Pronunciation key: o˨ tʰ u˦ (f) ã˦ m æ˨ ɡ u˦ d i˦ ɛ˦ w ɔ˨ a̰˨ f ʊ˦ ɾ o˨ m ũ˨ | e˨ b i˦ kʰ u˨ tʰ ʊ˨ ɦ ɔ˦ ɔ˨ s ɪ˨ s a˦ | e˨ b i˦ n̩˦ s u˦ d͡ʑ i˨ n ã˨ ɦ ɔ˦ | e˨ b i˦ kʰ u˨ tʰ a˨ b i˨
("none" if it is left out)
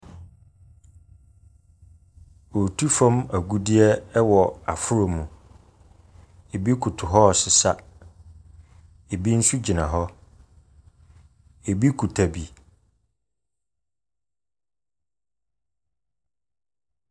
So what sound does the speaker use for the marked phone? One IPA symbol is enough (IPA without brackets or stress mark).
f